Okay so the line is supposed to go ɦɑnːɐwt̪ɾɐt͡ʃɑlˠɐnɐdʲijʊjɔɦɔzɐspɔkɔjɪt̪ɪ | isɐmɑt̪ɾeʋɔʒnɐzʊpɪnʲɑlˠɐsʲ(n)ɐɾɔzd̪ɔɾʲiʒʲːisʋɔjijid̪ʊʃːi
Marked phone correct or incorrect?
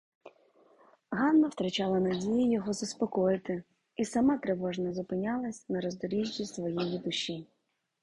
correct